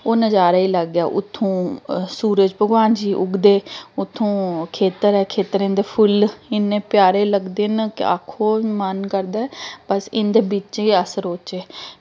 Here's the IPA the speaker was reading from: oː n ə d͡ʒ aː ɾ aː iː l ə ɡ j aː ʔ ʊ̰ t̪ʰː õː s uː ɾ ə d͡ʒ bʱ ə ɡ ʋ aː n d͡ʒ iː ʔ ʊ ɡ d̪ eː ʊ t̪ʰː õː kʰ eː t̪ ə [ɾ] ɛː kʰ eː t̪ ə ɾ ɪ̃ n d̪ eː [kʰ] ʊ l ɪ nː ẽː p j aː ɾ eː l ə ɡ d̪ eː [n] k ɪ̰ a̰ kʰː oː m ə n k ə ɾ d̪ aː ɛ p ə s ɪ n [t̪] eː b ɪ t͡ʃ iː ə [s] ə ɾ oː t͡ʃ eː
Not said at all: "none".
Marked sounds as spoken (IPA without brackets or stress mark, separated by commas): ɾ, pʰ, n, d̪, s